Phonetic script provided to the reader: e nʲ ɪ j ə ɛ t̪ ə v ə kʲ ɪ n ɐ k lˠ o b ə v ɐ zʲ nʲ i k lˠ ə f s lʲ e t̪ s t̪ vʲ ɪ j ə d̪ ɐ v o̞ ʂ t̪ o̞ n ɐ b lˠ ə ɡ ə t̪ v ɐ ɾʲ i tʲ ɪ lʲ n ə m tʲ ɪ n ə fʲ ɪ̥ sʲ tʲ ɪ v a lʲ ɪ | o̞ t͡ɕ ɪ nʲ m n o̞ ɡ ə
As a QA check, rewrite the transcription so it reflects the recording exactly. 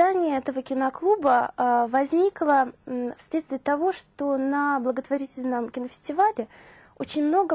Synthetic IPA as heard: a nʲ ɪ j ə ɛ t̪ ə v ə kʲ ɪ n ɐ k lˠ u b ə v ɐ zʲ nʲ i k lˠ ə f s lʲ e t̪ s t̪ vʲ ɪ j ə t̪ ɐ v o̞ ʂ t̪ o̞ n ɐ b lˠ ə ɡ ə t̪ v ɐ ɾʲ i tʲ ɪ lʲ n ə m kʲ ɪ n ə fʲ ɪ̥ sʲ tʲ ɪ v a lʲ ɪ | o̞ t͡ɕ ɪ nʲ m n o̞ ɡ ə